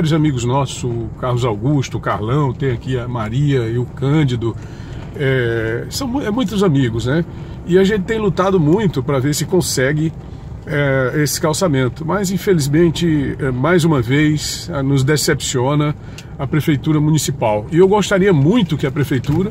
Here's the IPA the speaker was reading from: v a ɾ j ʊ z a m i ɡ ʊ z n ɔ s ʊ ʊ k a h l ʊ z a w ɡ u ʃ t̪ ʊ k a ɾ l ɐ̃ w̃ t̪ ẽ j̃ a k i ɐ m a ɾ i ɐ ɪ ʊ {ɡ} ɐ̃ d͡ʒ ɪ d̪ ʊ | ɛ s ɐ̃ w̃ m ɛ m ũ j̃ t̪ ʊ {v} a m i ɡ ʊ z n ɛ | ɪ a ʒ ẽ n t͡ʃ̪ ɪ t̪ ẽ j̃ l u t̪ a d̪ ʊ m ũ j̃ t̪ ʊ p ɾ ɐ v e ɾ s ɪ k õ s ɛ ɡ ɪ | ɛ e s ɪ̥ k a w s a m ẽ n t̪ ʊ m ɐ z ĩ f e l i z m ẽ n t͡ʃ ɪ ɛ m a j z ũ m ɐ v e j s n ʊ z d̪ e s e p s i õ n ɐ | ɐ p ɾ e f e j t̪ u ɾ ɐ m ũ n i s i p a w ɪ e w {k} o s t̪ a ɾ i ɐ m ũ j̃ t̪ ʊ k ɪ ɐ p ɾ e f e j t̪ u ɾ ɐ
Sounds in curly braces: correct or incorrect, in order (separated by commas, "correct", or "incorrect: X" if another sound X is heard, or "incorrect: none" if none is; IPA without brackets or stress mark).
incorrect: k, incorrect: z, incorrect: ɡ